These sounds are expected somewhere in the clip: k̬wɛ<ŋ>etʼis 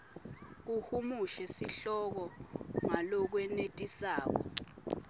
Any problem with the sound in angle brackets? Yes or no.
yes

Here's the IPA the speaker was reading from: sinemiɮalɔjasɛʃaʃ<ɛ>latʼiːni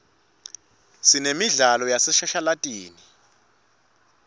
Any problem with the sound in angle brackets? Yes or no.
yes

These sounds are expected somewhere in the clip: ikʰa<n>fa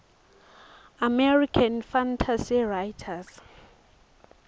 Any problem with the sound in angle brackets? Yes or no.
no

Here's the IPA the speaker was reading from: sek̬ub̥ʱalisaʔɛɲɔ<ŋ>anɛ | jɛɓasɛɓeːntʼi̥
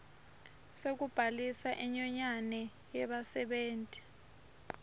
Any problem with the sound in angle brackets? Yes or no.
yes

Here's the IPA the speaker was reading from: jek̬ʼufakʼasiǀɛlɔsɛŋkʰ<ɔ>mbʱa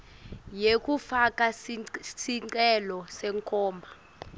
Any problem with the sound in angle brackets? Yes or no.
yes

